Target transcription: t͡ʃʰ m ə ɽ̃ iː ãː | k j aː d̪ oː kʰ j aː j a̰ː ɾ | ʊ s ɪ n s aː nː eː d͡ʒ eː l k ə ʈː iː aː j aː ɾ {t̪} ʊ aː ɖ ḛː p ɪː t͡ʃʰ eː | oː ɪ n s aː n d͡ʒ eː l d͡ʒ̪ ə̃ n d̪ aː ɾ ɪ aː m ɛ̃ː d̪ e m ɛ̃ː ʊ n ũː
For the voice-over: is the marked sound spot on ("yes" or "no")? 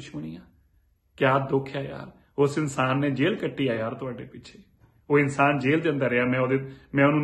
yes